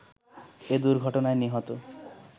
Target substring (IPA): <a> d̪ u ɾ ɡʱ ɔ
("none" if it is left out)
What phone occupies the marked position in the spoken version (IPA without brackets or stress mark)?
e